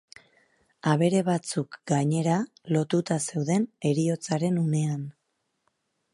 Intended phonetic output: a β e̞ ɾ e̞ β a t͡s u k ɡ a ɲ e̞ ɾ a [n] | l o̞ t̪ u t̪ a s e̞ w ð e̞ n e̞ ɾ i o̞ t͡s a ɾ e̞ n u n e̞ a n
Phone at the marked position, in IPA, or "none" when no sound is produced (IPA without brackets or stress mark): none